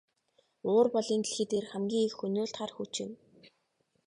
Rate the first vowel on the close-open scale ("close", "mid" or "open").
close